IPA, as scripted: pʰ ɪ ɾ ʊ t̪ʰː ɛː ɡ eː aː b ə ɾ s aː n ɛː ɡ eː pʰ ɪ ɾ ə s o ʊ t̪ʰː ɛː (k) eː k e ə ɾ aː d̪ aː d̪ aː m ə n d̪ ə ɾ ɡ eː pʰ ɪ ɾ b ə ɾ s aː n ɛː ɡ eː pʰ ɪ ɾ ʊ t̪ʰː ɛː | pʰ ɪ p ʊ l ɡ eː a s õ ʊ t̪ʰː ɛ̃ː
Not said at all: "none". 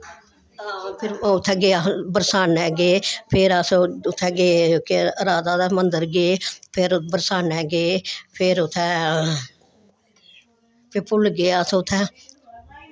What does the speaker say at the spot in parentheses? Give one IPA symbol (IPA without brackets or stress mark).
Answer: ɡ